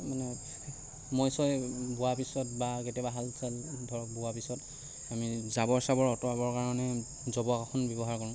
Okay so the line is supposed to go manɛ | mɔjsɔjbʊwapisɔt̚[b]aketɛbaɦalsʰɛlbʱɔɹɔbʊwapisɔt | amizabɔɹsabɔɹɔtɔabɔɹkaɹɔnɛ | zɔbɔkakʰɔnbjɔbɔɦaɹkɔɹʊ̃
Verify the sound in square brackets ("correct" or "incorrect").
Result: correct